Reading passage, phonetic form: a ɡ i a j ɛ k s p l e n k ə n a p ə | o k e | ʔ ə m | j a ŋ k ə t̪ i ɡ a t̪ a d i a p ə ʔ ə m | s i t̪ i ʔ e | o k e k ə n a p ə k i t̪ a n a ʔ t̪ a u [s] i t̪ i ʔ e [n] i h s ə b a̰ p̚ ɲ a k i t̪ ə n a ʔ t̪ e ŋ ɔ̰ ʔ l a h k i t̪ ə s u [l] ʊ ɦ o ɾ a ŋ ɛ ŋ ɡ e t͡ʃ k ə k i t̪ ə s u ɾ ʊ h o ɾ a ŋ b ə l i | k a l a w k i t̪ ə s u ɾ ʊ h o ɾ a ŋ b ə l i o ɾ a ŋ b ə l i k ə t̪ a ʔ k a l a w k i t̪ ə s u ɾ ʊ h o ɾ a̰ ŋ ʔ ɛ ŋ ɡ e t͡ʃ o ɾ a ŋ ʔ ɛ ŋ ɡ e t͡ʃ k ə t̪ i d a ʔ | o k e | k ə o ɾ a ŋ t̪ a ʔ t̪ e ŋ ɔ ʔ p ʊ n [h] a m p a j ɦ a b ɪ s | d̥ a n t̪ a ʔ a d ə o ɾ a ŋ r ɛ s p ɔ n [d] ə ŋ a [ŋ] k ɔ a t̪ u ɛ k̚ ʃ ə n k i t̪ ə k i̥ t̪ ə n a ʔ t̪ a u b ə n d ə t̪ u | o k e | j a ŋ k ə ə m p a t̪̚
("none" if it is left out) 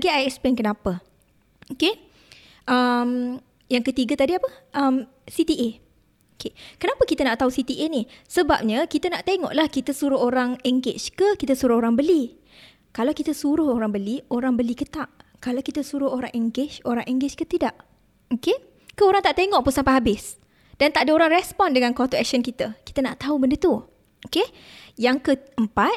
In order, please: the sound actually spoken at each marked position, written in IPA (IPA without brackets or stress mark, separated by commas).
s, n, ɾ, s, d, n